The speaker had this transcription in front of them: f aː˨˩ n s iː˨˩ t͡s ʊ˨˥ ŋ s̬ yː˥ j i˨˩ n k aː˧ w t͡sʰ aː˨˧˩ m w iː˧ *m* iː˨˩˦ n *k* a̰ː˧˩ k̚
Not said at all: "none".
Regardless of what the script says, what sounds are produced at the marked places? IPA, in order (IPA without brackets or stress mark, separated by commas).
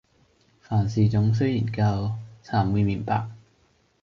m, p